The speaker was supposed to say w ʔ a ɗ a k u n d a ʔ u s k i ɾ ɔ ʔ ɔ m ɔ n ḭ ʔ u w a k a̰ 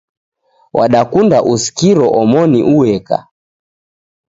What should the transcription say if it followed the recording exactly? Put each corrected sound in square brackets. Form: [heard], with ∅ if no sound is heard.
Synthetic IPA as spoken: w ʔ a ɗ a k u n d a ʔ u s k i ɾ ɔ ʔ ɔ m ɔ n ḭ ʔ u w [ɛ] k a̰